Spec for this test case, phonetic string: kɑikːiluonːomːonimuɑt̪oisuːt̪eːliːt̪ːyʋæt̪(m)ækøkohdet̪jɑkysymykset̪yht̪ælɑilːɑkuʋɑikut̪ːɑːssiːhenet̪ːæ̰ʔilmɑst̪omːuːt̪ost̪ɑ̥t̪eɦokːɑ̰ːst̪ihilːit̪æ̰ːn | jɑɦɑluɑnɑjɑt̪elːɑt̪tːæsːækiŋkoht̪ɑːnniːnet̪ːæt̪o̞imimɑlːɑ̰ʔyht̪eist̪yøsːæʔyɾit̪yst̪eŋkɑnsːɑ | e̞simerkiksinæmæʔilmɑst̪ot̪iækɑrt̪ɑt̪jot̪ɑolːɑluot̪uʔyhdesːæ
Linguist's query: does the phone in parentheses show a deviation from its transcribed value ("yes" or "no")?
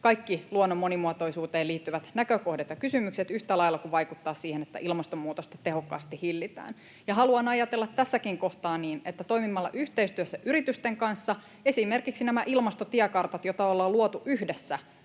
yes